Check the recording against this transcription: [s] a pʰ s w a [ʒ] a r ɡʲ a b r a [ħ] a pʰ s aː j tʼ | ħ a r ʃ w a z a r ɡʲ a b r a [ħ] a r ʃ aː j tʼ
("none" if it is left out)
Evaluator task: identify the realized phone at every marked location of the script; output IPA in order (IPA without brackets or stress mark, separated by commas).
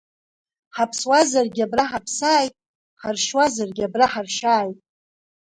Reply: ħ, z, ħ, ħ